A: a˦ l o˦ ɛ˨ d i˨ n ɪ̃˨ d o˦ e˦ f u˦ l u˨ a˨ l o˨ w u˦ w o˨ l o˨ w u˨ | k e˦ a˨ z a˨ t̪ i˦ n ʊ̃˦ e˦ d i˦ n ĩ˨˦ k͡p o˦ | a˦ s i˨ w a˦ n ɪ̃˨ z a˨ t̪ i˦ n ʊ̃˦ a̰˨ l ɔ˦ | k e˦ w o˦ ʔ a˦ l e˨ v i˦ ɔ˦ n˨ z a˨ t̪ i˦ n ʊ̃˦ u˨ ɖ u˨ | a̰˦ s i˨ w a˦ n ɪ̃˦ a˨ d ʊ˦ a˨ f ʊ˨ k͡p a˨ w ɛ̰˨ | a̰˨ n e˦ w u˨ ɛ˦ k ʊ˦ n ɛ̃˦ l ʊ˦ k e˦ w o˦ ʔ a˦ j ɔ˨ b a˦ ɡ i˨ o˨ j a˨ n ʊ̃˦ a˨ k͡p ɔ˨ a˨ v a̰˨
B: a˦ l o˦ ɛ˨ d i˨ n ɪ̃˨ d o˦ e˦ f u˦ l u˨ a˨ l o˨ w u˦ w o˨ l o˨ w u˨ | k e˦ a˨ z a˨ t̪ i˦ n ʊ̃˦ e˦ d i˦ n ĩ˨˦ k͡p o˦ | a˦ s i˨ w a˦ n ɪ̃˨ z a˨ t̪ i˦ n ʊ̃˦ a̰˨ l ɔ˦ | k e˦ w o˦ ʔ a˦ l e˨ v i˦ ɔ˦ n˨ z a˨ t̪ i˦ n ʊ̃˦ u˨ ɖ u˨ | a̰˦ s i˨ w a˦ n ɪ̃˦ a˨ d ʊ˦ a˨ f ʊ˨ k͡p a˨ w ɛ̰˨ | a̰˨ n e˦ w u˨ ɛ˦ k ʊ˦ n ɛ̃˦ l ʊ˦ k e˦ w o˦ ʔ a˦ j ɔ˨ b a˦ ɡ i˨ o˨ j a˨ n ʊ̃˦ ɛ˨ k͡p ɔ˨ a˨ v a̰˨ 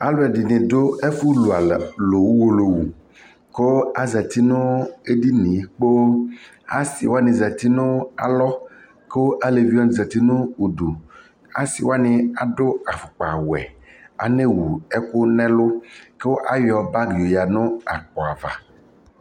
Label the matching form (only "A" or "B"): A